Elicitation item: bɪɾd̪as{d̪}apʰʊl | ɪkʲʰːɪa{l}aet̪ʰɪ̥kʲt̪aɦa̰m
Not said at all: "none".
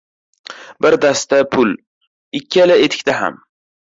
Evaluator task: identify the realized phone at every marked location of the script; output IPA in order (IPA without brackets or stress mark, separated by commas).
t̪, l